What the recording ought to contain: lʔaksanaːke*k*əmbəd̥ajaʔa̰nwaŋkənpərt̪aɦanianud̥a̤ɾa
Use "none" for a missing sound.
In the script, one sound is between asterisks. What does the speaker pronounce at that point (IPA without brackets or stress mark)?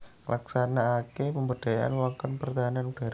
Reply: p